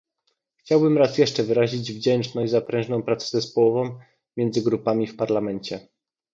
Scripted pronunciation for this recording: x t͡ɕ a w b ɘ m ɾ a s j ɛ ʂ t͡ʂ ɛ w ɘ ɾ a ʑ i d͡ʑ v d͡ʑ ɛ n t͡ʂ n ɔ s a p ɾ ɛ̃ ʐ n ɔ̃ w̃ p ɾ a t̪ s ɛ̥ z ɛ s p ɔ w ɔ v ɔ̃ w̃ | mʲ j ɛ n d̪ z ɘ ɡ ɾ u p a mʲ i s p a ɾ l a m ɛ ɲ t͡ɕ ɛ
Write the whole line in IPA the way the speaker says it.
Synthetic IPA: x t͡ɕ a w b ɘ m ɾ a s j ɛ ʂ t͡ʂ ɛ v ɘ ɾ a ʑ i d͡ʑ v d͡ʑ ɛ n t͡ʂ n ɔ z a p ɾ ɛ̃ ʐ n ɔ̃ w̃ p ɾ a t̪ s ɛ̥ z ɛ s p ɔ w ɔ v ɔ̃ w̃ | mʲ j ɛ n d̪ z ɘ ɡ ɾ u p a mʲ i f p a ɾ l a m ɛ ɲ t͡ɕ ɛ